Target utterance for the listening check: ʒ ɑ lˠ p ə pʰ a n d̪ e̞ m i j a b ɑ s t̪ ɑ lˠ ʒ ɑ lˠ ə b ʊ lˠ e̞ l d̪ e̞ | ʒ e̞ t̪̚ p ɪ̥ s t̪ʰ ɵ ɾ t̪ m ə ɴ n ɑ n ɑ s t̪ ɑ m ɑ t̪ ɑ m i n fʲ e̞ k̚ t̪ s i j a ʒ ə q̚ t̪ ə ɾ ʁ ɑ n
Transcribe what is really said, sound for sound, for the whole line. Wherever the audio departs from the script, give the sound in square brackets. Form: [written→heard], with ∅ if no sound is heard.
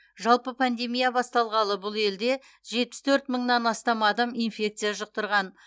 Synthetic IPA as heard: ʒ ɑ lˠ p ə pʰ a n d̪ e̞ m i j a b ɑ s t̪ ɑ lˠ [ʒ→ʁ] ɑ lˠ ə b ʊ lˠ e̞ l d̪ e̞ | ʒ e̞ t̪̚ p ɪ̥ s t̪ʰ ɵ ɾ t̪ m ə ɴ n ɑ n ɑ s t̪ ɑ m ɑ [t̪→d̪] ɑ m i n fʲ e̞ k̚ t̪ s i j a ʒ ə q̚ t̪ ə ɾ ʁ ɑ n